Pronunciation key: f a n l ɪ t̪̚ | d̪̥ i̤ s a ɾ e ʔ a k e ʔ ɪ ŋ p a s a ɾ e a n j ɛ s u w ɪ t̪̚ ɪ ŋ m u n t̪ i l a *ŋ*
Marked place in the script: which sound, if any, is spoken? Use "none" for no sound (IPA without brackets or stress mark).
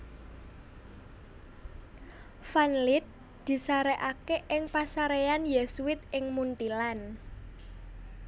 n